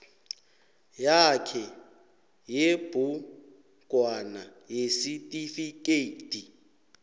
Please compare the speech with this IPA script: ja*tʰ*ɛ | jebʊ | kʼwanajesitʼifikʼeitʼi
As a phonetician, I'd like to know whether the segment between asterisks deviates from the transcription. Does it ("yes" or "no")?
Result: yes